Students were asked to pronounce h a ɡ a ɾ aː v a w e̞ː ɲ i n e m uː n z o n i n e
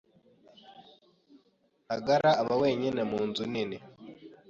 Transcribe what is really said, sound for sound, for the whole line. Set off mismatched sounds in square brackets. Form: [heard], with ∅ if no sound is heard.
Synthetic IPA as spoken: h a ɡ a ɾ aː [β] a w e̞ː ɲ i n e m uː n z [u] n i n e